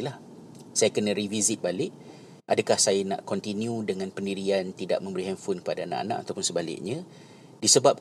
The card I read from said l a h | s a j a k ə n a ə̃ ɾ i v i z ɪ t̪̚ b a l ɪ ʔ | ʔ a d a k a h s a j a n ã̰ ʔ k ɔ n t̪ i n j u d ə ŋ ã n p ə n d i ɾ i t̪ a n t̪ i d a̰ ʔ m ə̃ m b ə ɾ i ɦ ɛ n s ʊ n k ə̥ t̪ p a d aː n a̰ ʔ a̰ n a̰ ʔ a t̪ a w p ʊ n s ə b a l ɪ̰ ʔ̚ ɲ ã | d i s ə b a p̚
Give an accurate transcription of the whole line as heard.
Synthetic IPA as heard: l a h | s a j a k ə n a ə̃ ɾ i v i z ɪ t̪̚ b a l ɪ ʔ | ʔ a d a k a h s a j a n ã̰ ʔ k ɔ n t̪ i n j u d ə ŋ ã n p ə n d i ɾ i a n t̪ i d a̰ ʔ m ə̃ m b ə ɾ i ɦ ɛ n f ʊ n k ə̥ p a d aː n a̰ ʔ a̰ n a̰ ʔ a t̪ a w p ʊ n s ə b a l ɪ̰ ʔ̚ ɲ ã | d i s ə b a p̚